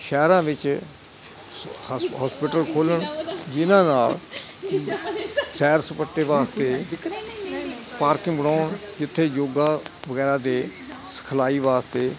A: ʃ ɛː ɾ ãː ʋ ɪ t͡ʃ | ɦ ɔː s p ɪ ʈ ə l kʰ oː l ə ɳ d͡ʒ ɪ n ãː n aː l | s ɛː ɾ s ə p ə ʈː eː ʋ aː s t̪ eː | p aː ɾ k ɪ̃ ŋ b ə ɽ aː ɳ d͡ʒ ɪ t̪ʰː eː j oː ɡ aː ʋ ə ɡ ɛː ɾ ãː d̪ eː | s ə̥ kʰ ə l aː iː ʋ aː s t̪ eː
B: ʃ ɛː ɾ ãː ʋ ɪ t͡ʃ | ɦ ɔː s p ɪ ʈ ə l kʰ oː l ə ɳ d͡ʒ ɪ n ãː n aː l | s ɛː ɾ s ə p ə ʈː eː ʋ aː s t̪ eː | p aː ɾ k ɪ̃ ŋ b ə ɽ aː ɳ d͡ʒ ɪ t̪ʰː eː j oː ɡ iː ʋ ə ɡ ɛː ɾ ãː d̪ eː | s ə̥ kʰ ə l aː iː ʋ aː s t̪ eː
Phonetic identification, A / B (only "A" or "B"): A